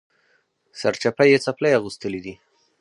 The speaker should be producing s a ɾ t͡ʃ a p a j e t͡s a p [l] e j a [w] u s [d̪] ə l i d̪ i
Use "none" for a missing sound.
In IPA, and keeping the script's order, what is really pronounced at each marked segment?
l, ɣ, t̪

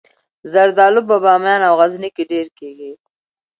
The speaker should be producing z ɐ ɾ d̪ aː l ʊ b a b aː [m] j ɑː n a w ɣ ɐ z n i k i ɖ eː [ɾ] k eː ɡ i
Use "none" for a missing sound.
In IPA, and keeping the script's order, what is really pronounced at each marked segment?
m, ɾ

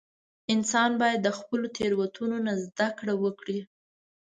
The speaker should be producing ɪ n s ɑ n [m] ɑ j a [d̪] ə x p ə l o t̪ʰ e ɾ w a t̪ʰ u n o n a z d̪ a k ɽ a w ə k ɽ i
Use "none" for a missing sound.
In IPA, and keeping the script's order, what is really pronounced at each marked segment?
b, d̪ː

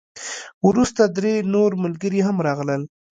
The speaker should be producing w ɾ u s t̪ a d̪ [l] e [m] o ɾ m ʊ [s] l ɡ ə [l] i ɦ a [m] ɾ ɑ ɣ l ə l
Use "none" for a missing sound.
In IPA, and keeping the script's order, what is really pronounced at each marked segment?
ɾ, n, none, ɾ, m

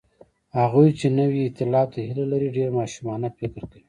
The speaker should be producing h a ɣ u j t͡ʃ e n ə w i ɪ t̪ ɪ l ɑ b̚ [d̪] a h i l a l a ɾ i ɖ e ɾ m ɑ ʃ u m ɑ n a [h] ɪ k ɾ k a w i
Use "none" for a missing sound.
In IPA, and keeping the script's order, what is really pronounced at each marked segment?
t̪, f

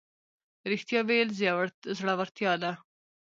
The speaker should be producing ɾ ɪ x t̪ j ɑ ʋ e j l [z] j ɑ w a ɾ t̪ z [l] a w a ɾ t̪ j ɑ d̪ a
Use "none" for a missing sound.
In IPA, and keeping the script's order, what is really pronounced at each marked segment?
z, ɽ

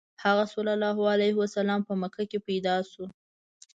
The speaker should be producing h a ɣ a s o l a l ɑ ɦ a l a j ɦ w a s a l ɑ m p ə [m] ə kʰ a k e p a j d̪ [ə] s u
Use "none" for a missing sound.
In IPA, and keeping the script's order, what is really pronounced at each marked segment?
m, ɑ

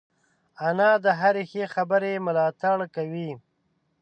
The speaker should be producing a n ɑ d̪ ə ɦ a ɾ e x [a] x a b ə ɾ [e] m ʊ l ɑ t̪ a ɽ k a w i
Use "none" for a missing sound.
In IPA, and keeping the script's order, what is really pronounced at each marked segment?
e, e

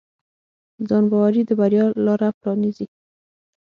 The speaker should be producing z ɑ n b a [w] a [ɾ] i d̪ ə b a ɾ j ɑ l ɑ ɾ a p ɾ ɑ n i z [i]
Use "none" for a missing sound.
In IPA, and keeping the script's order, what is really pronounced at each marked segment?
w, ɾ, i

